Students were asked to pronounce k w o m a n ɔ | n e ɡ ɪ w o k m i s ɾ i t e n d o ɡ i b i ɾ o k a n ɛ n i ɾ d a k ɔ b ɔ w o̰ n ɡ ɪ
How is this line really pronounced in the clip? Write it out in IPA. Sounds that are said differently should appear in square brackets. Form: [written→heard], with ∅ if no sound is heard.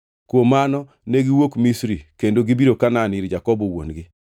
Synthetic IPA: k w o m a n ɔ | n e ɡ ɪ w o k m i s ɾ i [t→k] e n d o ɡ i b i ɾ o k a n [ɛ→a] n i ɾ [d→d͡ʒ] a k ɔ b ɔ w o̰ n ɡ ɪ